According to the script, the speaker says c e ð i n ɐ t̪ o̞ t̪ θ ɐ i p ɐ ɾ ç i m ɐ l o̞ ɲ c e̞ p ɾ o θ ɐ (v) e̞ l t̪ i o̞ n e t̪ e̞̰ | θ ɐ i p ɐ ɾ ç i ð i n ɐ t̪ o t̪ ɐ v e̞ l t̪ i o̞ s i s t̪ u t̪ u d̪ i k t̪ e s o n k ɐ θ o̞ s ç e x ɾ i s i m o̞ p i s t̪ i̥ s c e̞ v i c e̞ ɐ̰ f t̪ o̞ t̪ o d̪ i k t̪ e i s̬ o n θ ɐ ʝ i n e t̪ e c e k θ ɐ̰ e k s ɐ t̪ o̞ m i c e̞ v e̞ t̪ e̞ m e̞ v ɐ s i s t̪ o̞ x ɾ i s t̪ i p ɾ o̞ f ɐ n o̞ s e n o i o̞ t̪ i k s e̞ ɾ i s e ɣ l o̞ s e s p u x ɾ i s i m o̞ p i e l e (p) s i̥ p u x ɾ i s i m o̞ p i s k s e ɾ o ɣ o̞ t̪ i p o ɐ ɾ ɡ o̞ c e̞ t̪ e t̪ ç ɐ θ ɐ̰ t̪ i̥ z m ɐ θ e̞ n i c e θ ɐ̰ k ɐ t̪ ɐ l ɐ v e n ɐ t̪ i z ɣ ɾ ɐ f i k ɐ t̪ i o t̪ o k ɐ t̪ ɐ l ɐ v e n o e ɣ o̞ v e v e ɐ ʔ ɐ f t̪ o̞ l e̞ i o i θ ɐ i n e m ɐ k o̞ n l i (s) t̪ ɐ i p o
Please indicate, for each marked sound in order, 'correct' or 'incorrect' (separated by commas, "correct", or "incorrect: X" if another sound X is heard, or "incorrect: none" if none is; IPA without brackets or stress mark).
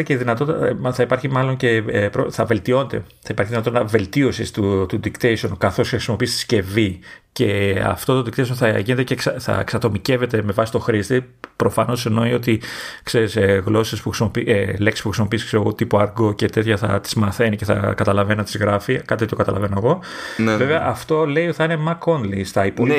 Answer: correct, incorrect: k, correct